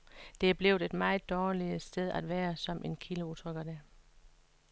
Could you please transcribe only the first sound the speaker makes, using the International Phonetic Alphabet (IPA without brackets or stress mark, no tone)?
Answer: d̥